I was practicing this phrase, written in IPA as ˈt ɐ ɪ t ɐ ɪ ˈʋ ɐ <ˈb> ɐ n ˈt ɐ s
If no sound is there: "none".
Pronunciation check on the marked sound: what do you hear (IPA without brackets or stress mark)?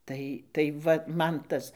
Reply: m